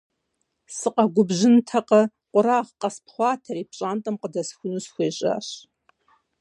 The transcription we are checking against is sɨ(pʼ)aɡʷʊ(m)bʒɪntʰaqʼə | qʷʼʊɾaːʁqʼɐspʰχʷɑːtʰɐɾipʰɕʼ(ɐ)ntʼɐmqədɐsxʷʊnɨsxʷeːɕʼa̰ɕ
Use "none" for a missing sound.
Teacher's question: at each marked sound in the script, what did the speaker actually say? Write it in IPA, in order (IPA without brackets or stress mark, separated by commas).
qʼ, none, a